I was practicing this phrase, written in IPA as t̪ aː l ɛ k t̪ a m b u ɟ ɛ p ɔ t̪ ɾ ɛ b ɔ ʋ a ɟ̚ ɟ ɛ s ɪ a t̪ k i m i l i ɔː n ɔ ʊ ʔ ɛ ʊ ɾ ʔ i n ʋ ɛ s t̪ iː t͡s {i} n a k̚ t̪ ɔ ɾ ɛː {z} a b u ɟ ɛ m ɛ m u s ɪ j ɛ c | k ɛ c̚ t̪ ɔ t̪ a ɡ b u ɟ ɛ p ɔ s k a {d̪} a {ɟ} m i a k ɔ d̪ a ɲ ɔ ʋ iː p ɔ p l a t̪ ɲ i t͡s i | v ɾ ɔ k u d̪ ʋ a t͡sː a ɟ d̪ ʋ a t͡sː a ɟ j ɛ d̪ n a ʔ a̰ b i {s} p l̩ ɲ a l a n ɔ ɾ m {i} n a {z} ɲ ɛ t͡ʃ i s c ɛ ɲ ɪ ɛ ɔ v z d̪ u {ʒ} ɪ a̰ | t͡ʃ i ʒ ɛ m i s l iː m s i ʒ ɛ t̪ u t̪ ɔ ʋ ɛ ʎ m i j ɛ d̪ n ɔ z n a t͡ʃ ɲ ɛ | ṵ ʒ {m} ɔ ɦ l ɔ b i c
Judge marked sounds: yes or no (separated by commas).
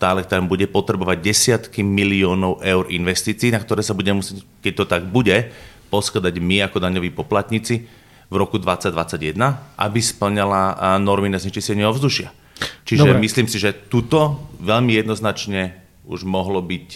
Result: no, no, yes, yes, yes, yes, yes, no, yes